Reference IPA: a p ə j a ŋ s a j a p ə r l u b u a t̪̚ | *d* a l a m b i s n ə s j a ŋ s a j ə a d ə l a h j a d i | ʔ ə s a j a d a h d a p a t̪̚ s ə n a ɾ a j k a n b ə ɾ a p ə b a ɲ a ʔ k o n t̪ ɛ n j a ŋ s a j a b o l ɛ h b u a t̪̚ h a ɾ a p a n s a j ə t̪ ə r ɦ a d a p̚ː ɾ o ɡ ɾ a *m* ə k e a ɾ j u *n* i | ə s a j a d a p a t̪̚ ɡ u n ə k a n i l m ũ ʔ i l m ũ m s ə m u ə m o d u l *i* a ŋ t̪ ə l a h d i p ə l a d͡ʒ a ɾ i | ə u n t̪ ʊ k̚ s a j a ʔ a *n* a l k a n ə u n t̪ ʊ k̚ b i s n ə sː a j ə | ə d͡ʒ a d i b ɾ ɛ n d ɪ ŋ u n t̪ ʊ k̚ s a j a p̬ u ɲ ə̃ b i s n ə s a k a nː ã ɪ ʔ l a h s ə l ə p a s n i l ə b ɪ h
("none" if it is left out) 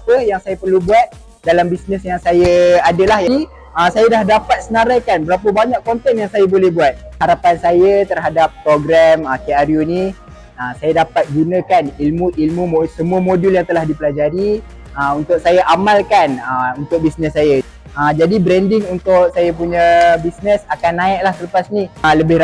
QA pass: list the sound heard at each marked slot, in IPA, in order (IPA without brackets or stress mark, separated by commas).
d, m, n, j, m